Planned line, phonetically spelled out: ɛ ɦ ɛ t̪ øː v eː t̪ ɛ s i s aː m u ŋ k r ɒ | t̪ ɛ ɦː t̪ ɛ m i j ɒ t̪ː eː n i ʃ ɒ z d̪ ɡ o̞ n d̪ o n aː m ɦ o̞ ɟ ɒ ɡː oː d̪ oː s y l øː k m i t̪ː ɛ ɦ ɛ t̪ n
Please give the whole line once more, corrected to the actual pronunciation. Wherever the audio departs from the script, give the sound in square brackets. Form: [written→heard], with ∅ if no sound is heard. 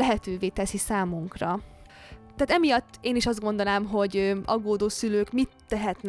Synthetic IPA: ɛ ɦ ɛ t̪ øː v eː t̪ ɛ s i s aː m u ŋ k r ɒ | t̪ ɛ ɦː t̪ ɛ m i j ɒ t̪ː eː n i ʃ ɒ z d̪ ɡ o̞ n d̪ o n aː m ɦ o̞ ɟ ɒ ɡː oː d̪ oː s y l øː k m i t̪ː ɛ ɦ ɛ t̪ n